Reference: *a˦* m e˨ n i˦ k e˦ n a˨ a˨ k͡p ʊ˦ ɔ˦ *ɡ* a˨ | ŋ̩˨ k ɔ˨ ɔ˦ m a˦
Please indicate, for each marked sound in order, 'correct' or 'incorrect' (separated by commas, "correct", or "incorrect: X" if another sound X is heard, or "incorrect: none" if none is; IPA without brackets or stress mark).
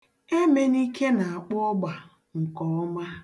incorrect: e˦, incorrect: ɡ͡b